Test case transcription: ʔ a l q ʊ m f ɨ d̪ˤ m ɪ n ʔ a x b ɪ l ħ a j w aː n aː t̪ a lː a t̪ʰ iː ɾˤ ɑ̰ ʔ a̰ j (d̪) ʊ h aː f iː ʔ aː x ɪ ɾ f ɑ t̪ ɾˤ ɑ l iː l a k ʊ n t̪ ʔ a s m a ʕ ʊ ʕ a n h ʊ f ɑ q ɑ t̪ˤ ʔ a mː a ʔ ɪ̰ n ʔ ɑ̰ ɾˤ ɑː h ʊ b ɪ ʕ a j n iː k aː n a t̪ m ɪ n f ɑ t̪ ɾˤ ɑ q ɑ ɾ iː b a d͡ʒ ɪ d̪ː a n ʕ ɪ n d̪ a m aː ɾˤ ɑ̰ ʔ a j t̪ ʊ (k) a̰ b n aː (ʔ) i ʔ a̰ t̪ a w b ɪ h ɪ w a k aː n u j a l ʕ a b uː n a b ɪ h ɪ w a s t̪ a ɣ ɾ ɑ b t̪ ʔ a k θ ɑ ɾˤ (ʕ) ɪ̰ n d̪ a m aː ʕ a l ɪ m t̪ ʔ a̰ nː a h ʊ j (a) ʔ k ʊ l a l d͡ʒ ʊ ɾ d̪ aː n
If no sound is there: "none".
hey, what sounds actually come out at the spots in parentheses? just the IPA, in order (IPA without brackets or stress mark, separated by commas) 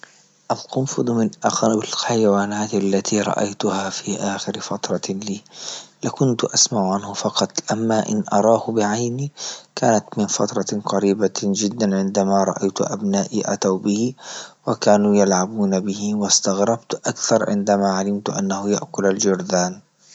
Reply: t̪, ʔ, ʔ, ʕ, a